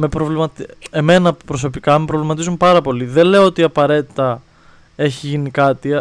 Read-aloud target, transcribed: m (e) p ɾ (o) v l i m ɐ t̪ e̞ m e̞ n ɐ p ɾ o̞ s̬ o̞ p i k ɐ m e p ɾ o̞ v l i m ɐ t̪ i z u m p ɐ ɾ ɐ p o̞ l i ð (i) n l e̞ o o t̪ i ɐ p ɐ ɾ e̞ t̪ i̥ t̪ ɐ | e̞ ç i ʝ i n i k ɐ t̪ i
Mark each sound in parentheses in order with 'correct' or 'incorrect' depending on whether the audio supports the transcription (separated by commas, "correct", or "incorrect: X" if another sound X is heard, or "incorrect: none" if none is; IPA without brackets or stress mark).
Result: correct, correct, incorrect: e